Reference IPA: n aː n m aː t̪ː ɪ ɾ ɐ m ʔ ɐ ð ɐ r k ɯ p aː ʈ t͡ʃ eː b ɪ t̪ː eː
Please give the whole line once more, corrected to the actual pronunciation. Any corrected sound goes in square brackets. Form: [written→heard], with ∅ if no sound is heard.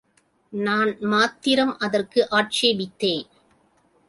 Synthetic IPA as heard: n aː n m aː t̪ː ɪ ɾ ɐ m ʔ ɐ ð ɐ r k ɯ [p→ʔ] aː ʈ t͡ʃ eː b ɪ t̪ː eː